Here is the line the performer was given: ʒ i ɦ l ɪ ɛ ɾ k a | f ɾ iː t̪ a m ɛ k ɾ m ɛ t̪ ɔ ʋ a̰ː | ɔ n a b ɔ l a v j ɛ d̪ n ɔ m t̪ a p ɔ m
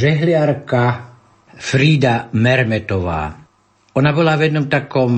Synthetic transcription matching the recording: ʒ ɛ ɦ l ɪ a ɾ k a | f ɾ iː d̪ a m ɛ ɾ m ɛ t̪ ɔ ʋ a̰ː | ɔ n a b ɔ l a v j ɛ d̪ n ɔ m t̪ a k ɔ m